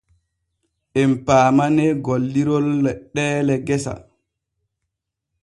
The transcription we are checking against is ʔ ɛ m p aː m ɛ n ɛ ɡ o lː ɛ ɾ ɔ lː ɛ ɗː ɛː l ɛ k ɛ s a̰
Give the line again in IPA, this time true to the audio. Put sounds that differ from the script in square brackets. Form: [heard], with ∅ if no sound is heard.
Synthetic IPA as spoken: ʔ ɛ m p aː m [a] n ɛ ɡ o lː [i] ɾ ɔ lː ɛ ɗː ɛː l ɛ [ɡ] ɛ s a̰